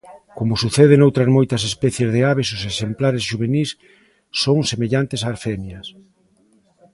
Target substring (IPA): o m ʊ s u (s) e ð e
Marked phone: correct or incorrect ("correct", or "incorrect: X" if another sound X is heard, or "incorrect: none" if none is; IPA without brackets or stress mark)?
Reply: incorrect: θ